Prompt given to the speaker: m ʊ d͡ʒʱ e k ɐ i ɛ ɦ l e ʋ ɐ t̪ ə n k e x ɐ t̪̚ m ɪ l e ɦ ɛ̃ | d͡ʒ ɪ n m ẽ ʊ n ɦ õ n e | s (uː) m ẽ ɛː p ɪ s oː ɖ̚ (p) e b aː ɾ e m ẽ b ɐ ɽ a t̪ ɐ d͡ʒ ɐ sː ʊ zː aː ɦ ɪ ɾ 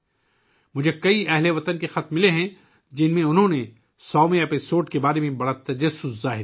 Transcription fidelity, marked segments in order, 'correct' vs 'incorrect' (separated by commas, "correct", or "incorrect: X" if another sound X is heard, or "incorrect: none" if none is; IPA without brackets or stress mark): incorrect: ɔː, incorrect: k